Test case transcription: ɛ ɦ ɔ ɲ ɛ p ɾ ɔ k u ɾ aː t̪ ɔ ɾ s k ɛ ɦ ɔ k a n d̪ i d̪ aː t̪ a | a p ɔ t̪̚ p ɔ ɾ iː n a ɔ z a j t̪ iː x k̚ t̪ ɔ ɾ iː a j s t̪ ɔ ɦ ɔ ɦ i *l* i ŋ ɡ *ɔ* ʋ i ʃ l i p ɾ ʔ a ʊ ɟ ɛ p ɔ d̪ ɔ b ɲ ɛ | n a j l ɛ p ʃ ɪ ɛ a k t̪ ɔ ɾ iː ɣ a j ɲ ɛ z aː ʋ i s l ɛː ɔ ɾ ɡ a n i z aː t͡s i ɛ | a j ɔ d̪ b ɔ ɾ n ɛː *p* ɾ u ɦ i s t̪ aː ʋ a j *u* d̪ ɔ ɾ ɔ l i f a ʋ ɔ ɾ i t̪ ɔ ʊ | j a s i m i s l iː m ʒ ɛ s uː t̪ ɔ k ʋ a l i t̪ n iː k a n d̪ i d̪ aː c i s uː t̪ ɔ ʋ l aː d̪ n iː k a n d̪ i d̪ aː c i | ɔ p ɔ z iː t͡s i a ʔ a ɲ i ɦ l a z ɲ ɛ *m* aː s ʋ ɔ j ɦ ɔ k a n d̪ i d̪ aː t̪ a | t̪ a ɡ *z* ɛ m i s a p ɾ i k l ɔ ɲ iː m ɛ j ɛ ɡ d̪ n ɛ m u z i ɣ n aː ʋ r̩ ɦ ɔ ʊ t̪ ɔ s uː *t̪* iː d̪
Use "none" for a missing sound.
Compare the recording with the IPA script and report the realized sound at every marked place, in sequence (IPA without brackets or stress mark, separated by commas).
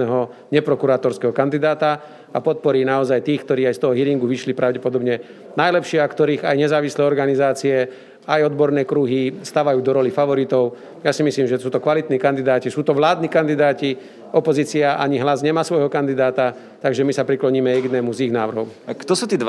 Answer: ɾ, u, k, uː, m, ʒ, t̪